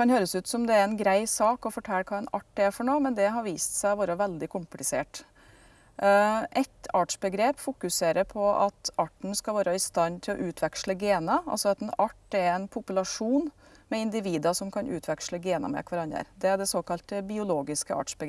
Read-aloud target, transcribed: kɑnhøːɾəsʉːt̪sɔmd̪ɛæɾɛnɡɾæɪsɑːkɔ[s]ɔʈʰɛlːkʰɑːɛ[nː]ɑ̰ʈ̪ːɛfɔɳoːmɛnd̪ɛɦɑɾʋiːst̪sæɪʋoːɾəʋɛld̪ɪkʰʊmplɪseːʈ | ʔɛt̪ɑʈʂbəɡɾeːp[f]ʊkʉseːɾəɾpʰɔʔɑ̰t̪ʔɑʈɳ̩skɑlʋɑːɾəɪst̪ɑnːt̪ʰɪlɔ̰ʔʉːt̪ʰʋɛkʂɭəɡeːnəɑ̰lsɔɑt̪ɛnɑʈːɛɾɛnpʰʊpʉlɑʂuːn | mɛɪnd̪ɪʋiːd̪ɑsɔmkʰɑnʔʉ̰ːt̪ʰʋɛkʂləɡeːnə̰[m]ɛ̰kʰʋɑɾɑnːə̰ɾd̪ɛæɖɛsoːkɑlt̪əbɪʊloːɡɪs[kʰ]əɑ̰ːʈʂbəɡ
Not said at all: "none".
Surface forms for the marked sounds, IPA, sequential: f, n, f, m, k

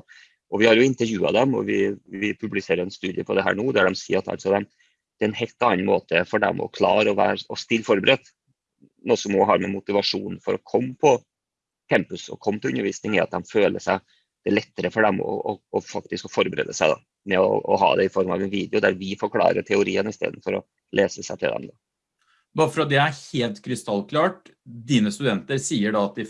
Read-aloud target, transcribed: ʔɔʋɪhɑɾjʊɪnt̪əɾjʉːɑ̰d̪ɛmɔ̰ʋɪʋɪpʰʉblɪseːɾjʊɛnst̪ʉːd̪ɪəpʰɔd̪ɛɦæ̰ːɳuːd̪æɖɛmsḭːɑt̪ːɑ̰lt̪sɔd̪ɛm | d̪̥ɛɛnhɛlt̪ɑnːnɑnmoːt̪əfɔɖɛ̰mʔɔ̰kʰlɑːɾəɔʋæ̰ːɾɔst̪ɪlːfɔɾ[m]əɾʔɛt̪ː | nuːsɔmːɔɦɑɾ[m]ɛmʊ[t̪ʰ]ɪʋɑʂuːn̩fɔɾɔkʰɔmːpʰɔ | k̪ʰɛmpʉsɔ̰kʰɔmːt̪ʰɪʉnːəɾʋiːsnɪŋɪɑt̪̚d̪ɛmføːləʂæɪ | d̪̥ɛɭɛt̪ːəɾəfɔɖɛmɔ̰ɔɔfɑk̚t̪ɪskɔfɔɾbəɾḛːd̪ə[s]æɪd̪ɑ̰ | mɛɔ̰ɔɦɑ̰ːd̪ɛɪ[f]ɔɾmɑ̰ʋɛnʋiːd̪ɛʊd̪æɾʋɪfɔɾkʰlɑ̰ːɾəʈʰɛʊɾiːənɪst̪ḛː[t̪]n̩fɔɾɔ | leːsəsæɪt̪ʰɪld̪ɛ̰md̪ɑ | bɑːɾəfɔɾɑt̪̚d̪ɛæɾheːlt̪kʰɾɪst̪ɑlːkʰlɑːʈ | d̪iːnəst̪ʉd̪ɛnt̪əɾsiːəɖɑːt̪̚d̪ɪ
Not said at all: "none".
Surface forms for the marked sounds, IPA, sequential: b, m, t̪, s, f, d̪

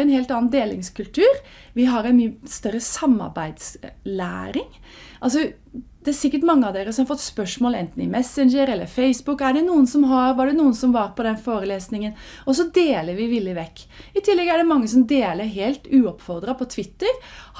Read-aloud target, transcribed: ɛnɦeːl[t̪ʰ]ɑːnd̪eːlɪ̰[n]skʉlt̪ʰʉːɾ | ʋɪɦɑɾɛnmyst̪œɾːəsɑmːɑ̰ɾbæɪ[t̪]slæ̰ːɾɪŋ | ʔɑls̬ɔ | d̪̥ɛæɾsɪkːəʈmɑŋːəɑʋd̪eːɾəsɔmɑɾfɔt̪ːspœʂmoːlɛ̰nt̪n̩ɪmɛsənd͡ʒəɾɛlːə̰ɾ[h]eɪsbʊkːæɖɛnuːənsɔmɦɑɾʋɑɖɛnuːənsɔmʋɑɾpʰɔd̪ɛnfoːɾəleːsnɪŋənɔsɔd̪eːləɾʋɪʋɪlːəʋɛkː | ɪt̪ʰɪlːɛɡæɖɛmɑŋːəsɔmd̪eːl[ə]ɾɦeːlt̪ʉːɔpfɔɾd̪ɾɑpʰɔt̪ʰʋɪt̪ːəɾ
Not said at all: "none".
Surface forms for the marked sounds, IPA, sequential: t̪, ŋ, d̪, f, ə

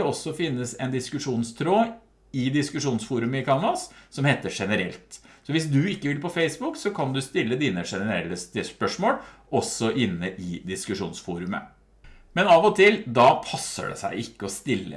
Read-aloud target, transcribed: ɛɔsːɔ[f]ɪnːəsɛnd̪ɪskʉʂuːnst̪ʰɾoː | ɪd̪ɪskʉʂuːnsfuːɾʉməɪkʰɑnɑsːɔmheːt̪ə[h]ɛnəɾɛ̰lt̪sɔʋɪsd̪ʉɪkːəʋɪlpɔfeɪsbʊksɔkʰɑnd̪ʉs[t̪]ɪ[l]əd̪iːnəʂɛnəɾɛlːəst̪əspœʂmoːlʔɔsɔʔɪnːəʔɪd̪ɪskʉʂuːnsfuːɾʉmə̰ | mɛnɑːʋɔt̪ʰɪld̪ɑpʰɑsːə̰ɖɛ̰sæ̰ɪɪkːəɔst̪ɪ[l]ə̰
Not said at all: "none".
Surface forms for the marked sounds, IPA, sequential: f, ʂ, t̪, lː, lː

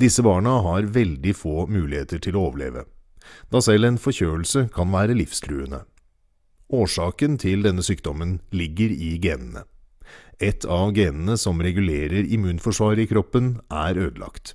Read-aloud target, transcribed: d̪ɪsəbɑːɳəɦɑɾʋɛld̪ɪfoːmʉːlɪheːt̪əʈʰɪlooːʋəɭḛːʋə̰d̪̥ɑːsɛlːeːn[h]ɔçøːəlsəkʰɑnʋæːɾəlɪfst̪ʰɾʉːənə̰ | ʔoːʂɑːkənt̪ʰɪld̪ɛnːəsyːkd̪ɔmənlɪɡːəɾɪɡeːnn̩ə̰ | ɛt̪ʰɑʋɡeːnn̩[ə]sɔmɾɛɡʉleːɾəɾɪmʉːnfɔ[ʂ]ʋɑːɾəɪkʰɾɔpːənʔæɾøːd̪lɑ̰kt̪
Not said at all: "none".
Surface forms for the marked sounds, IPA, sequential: f, ə, ʂ

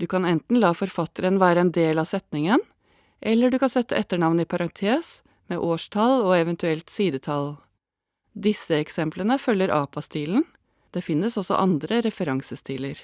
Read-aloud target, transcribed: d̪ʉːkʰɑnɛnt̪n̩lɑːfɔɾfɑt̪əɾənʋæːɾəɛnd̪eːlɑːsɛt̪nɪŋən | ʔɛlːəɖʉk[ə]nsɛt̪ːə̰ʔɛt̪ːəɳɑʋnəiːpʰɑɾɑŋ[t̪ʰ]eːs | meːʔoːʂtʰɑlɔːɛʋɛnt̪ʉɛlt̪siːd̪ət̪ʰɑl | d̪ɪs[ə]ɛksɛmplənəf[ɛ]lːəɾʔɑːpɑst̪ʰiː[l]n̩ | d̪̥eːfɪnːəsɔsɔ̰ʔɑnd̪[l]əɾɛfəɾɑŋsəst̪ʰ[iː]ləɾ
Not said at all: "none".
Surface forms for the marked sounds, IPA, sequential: ɑ, t̪ʰ, ə, œ, l, ɾ, iː

